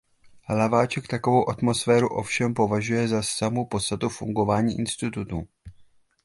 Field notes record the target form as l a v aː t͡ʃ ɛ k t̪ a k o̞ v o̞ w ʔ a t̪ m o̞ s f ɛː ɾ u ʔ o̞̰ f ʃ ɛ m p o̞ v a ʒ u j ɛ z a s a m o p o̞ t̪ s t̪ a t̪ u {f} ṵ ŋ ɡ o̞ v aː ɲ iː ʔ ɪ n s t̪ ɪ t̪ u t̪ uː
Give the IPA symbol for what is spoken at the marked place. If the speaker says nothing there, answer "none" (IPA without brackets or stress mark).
f